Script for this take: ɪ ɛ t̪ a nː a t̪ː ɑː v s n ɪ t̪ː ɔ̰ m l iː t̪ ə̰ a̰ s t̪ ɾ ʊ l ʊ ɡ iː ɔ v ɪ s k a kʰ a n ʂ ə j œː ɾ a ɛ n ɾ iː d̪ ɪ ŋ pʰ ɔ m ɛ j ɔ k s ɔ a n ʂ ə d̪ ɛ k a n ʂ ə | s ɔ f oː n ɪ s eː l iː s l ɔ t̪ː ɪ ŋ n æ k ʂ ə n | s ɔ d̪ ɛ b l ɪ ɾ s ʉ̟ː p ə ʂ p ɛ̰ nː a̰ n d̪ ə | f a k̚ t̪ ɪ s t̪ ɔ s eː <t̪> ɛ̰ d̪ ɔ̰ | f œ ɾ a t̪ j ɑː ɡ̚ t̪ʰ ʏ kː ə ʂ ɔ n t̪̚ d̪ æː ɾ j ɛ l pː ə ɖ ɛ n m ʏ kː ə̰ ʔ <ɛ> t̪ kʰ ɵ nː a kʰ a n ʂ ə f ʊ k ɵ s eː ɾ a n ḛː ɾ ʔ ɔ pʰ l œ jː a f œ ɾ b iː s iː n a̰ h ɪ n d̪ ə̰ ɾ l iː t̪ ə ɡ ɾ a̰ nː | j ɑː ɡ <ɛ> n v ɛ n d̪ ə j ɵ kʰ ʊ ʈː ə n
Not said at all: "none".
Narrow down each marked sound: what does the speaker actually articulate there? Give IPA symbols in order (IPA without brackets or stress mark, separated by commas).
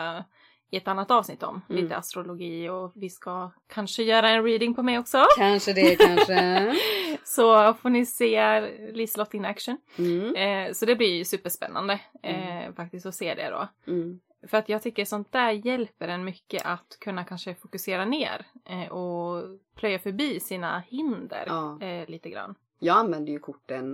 d̪, a, a